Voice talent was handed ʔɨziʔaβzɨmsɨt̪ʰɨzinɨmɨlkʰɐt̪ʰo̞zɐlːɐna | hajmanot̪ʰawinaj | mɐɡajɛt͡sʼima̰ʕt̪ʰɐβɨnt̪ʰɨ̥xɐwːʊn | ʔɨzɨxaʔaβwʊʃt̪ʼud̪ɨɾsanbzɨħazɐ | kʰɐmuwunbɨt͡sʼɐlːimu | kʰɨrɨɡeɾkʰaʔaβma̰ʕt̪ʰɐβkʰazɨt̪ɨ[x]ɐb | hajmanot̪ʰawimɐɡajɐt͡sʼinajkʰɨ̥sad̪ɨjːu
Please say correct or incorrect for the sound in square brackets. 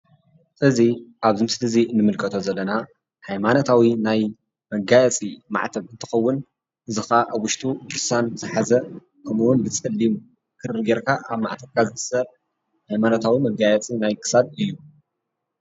incorrect